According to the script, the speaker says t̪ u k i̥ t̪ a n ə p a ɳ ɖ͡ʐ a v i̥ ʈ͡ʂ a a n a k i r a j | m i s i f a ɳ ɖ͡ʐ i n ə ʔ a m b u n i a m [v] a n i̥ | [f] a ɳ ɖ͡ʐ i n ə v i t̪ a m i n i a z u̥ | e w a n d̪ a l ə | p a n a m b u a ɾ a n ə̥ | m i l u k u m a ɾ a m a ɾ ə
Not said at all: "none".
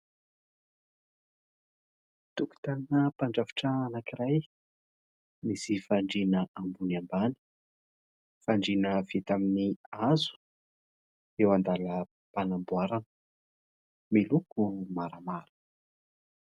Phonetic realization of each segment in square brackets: b, f

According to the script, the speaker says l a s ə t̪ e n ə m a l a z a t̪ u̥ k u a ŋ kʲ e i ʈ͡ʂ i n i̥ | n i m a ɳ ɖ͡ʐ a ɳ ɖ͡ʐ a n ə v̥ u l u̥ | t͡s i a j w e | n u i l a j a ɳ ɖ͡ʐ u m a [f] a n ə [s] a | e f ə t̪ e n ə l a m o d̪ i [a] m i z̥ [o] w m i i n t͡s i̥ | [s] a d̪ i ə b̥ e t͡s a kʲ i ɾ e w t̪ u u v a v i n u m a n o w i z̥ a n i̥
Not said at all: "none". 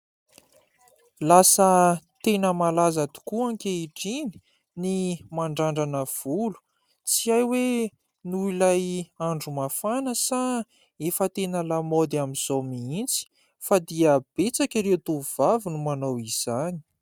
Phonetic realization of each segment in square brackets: f, s, a, o, f

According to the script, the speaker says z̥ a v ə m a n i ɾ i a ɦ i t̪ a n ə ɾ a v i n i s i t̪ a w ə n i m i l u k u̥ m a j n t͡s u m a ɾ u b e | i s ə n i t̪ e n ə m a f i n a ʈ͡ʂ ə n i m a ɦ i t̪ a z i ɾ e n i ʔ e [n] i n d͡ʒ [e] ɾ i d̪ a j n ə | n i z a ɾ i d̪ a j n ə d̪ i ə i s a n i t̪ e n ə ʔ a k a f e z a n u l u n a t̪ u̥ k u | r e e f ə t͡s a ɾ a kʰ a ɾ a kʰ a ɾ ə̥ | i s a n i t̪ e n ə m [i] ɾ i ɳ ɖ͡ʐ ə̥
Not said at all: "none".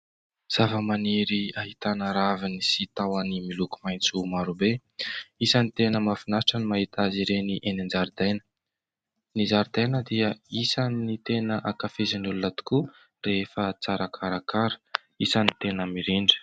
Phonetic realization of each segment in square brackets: n, a, i

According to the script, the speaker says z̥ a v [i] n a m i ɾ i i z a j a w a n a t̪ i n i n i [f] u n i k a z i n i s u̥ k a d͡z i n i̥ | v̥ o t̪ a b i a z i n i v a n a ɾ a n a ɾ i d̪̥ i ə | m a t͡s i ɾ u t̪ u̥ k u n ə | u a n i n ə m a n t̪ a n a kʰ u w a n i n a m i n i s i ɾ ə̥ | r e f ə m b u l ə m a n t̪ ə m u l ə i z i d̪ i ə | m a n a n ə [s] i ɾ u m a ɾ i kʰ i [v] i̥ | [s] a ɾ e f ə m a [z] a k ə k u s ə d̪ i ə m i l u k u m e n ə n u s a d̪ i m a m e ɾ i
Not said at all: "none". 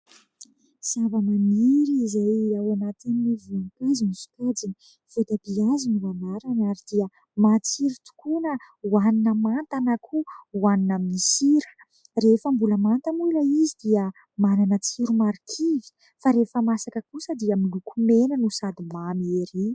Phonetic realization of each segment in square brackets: a, v, t͡s, v, f, s

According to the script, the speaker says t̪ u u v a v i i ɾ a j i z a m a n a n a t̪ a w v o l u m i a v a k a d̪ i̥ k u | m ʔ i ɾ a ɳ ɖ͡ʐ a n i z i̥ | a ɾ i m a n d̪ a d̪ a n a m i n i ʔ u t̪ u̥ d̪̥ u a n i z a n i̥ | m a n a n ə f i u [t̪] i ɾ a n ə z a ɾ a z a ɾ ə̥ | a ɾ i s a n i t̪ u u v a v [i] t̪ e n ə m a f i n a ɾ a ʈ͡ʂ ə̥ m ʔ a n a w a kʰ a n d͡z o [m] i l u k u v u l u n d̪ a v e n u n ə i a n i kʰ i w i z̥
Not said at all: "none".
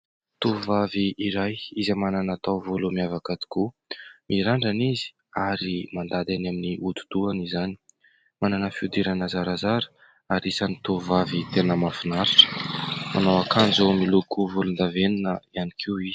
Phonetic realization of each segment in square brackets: d̪, i, m

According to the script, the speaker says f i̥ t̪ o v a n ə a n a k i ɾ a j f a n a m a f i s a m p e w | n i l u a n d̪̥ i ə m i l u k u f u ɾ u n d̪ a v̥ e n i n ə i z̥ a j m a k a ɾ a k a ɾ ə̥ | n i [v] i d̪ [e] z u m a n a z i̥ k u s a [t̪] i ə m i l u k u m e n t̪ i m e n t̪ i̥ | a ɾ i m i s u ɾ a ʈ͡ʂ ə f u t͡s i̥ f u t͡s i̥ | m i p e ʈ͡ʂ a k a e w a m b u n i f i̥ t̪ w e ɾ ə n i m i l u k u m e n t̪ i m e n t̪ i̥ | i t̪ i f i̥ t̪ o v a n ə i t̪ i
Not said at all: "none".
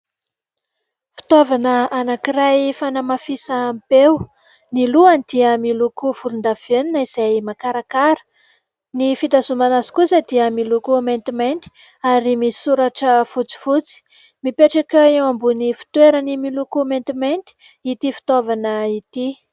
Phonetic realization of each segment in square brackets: f, a, d̪

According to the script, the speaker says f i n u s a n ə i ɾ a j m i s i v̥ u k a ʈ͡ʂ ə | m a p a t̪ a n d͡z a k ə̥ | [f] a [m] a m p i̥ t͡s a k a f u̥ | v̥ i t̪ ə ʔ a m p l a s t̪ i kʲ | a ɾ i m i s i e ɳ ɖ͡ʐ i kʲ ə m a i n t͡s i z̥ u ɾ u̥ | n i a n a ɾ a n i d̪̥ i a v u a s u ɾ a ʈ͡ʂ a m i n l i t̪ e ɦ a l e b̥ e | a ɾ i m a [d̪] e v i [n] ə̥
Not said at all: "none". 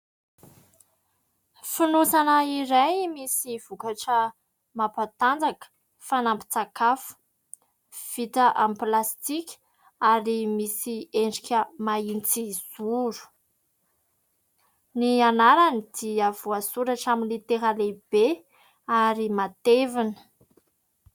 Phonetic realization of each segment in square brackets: f, n, t̪, n

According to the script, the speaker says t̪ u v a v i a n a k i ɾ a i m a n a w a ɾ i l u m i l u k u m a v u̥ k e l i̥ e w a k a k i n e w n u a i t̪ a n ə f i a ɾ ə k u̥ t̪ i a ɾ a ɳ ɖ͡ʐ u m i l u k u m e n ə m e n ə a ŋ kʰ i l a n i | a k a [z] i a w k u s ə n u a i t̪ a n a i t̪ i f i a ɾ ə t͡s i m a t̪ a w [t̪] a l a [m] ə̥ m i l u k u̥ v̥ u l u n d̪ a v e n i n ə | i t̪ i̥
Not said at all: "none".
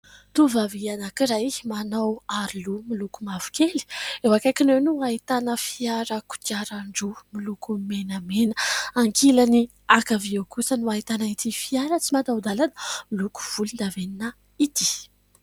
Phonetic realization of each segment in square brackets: v, d̪, n

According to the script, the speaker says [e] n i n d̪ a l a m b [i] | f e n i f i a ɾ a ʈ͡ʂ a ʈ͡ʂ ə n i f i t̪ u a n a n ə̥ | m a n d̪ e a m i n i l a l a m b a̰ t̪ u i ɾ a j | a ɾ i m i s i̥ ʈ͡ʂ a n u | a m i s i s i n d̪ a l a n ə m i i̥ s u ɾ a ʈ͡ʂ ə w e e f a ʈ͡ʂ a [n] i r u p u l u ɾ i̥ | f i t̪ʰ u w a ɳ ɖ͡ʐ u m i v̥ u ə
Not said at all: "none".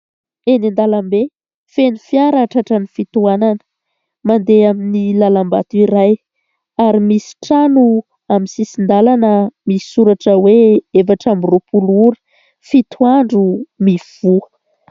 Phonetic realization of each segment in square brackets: e, e, m

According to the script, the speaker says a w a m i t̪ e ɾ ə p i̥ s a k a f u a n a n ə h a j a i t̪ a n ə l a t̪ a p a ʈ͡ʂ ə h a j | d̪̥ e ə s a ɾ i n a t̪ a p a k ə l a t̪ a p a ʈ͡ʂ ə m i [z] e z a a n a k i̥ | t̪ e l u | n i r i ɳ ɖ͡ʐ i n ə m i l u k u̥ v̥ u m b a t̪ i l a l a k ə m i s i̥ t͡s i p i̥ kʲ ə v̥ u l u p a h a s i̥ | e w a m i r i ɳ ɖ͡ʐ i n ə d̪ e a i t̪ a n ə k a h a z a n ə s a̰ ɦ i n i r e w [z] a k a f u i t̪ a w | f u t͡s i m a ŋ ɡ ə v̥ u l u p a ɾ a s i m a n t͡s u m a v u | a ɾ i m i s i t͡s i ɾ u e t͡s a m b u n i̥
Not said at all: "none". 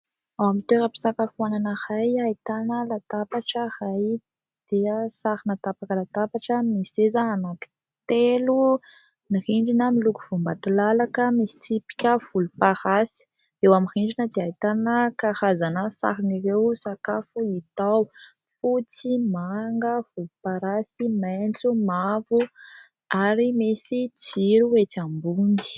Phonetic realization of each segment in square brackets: s, s

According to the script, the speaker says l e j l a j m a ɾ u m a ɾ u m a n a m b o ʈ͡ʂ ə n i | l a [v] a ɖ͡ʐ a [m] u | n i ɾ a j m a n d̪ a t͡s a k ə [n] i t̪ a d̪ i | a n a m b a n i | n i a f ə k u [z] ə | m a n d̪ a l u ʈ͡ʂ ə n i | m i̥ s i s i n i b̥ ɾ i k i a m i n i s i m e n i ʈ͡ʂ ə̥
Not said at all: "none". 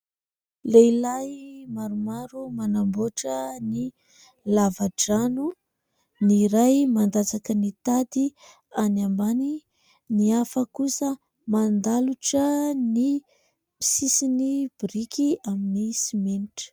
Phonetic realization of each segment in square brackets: v, n, n, s

